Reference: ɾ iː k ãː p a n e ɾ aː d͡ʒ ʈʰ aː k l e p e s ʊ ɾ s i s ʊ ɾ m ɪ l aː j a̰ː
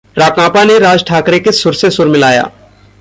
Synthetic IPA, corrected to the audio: ɾ aː k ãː p a n e ɾ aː d͡ʒ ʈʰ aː k ɾ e k e s ʊ ɾ s e s ʊ ɾ m ɪ l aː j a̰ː